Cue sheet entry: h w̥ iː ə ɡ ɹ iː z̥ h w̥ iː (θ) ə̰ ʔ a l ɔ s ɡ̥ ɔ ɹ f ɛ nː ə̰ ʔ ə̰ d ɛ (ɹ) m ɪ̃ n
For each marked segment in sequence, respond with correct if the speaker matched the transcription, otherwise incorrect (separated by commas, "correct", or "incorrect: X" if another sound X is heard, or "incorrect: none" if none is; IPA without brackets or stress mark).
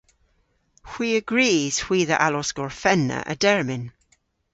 incorrect: ð, correct